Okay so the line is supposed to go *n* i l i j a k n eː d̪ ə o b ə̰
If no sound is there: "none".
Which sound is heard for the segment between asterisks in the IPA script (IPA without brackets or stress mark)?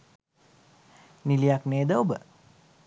n